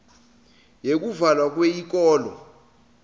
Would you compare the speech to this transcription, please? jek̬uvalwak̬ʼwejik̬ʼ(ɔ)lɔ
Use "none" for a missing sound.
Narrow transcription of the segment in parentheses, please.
ɔː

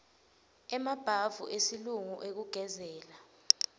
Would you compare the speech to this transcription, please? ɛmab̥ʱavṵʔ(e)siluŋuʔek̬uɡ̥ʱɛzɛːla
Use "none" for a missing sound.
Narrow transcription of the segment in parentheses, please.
e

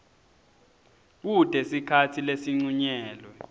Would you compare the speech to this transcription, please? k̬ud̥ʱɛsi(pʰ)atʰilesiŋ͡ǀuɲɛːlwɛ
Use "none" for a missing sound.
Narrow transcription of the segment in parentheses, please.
kʰ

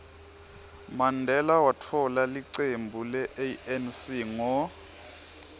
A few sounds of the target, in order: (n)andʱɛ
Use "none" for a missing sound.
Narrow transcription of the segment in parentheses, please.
m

